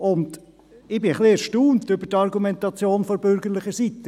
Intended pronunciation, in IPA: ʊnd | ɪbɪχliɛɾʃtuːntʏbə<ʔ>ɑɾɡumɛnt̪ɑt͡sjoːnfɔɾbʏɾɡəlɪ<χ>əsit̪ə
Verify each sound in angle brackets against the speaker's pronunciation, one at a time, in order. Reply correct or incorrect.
incorrect: t, correct

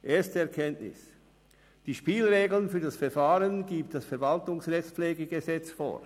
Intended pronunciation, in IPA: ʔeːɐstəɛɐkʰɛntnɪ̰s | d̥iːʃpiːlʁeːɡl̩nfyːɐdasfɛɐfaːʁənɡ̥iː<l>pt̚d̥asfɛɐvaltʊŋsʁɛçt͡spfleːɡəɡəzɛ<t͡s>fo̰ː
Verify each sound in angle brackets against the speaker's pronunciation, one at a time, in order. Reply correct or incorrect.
incorrect: none, correct

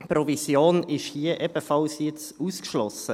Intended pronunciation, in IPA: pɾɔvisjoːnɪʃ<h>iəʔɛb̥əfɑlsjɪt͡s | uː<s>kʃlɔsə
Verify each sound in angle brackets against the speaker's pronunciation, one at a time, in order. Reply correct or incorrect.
correct, correct

